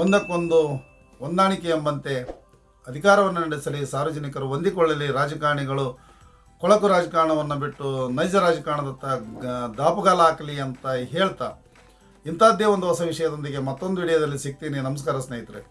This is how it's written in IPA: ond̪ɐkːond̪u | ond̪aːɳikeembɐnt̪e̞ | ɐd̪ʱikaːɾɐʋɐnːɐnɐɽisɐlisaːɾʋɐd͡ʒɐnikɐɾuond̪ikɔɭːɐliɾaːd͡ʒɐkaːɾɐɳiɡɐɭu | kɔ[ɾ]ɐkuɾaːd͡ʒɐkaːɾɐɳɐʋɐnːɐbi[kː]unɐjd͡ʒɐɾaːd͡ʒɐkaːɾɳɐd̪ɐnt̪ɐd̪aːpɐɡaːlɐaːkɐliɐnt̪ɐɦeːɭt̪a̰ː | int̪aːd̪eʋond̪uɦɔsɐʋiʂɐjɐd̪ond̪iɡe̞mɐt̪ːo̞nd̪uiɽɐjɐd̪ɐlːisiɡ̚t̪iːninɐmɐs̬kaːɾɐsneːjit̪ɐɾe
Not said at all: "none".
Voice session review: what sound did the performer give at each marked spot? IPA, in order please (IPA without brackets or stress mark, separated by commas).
ɭ, ʈː